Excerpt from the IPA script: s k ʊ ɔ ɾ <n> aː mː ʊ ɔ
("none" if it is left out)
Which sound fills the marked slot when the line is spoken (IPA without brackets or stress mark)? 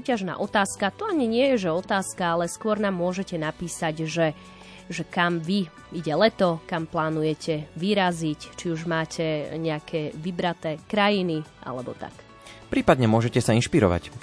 n